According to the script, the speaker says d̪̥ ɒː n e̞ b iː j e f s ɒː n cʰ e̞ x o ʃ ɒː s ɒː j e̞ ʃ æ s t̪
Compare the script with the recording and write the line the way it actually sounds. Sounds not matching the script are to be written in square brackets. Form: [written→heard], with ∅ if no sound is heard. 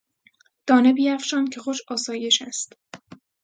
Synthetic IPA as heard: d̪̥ ɒː n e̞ b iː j [e→æ] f [s→ʃ] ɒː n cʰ e̞ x o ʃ ɒː s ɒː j e̞ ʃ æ s t̪